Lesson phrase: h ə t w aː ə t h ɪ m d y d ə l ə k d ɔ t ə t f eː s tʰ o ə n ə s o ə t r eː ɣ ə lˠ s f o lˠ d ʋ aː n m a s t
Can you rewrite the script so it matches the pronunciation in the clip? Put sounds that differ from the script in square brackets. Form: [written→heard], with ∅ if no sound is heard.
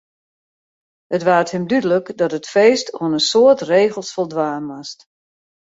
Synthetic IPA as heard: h ə t [w→ʋ] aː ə t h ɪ m d y d ə l ə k d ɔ t ə t f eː s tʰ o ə n ə s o ə t r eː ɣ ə lˠ s f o lˠ d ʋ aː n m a s t